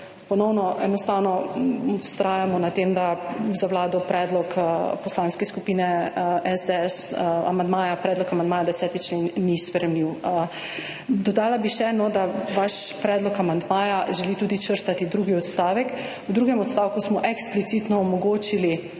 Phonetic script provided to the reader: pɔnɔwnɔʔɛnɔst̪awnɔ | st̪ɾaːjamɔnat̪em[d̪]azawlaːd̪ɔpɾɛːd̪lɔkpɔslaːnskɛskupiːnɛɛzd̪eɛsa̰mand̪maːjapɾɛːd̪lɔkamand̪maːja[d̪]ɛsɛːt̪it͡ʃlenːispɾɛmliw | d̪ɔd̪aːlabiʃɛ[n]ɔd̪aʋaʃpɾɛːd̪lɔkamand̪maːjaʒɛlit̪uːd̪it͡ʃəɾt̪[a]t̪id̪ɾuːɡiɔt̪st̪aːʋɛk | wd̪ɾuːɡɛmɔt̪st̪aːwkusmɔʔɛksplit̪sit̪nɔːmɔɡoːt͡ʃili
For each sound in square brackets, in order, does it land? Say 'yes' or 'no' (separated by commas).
yes, yes, yes, yes